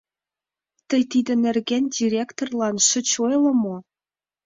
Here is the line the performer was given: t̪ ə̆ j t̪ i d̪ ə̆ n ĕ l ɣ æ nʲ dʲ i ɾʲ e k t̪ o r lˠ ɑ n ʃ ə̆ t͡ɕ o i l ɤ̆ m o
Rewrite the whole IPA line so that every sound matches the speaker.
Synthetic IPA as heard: t̪ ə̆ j t̪ i d̪ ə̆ n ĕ r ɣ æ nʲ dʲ i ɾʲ e k t̪ o r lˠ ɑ n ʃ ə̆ t͡ɕ o j l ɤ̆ m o